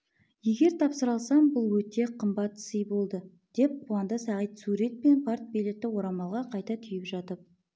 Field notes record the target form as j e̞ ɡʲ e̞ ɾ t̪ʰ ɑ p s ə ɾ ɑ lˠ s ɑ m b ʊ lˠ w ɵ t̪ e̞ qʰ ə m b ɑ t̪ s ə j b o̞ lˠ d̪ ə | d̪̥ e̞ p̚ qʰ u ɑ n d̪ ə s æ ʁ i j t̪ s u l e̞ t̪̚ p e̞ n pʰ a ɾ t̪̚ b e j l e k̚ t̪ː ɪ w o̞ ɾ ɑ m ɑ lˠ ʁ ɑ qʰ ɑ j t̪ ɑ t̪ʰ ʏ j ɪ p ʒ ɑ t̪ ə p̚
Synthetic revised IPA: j e̞ ɡʲ e̞ ɾ t̪ʰ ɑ p s ə ɾ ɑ lˠ s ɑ m b ʊ lˠ w ɵ t̪ e̞ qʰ ə m b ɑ t̪ s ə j b o̞ lˠ d̪ ə | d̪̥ e̞ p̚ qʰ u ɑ n d̪ ə s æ ʁ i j t̪ s u ɾ e̞ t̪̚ p e̞ n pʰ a ɾ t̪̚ b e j l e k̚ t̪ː ɪ w o̞ ɾ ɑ m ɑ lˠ ʁ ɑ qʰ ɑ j t̪ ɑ t̪ʰ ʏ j ɪ p ʒ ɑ t̪ ə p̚